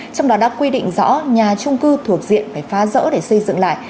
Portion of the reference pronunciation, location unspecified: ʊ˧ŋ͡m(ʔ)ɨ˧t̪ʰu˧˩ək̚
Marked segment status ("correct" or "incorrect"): incorrect